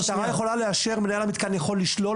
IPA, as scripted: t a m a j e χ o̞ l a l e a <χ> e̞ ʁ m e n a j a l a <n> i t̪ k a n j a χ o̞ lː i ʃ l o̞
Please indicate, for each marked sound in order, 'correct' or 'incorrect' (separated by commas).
incorrect, incorrect